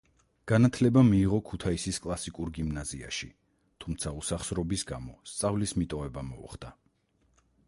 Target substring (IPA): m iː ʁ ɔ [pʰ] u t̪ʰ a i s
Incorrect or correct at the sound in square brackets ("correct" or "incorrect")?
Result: incorrect